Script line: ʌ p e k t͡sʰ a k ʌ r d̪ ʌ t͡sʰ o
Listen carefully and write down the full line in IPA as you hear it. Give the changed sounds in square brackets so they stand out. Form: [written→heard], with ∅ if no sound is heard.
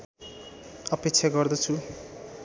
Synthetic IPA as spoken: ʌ p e k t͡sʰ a [k→ɡ] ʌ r d̪ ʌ t͡sʰ [o→u]